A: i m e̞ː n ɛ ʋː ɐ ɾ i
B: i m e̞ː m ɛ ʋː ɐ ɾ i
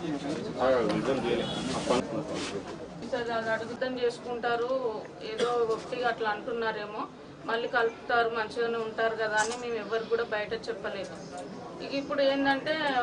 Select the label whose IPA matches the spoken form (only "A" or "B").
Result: B